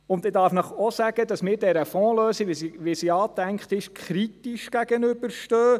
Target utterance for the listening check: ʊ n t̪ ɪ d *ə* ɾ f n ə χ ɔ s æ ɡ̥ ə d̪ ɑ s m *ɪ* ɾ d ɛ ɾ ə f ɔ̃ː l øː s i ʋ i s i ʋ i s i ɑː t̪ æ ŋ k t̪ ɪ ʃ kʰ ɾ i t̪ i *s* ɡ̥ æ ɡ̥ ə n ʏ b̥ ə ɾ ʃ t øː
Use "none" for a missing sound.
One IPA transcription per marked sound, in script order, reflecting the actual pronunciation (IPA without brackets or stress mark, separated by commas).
ɑ, ɪː, ʃ